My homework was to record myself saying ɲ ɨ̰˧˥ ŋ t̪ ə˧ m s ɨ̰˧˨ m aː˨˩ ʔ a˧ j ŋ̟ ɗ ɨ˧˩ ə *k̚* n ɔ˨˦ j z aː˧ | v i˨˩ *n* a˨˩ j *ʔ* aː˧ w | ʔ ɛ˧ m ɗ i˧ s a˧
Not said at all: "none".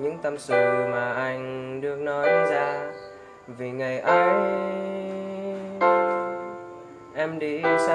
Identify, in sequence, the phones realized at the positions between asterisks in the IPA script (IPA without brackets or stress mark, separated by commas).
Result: k̚, ŋ, ʔ